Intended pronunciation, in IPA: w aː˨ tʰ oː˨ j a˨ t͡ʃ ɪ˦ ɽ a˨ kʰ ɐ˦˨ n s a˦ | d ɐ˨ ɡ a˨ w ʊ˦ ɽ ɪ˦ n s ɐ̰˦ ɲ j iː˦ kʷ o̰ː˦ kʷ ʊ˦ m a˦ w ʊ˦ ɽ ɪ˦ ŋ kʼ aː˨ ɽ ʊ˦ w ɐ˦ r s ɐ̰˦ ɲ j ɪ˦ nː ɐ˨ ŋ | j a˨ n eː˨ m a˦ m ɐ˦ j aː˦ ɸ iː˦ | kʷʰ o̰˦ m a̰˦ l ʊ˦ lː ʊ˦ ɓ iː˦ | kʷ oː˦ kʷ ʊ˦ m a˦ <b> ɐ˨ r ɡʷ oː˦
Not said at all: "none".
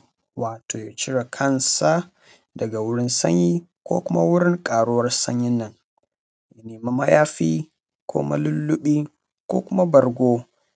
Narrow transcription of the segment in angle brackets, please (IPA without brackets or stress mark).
b